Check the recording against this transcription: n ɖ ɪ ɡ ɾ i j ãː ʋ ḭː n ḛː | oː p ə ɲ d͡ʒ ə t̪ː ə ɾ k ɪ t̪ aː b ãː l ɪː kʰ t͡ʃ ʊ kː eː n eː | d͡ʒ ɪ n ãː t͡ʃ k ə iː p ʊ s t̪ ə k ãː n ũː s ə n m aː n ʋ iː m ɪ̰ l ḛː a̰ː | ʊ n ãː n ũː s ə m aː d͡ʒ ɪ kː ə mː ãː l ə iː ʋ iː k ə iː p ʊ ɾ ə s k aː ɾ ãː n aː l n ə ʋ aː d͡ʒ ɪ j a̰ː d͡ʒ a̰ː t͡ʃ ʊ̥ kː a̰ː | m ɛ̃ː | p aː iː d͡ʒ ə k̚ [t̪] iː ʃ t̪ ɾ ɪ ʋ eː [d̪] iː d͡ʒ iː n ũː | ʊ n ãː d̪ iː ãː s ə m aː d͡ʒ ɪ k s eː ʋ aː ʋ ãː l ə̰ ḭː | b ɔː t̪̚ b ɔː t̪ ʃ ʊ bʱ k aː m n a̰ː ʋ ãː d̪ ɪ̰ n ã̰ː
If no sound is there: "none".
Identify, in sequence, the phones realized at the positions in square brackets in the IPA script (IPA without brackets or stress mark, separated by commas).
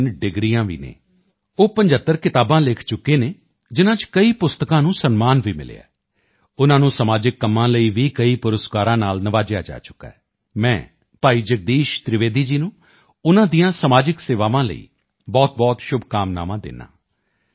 d̪, d̪